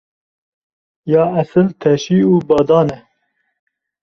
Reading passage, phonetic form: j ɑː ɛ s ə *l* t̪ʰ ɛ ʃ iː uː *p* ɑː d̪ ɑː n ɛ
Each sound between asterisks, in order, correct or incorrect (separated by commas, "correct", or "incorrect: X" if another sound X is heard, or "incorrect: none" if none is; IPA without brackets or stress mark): correct, incorrect: b